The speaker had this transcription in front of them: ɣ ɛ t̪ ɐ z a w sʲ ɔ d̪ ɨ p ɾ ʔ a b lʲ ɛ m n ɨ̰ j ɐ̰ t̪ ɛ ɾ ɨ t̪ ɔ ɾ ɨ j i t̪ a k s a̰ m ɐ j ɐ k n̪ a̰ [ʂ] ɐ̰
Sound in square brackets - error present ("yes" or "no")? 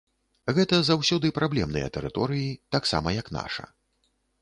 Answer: no